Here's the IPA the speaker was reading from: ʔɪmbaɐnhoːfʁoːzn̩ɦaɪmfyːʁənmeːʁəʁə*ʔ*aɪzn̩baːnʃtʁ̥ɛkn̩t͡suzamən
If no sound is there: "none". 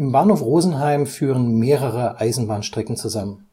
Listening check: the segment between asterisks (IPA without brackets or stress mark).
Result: ʔ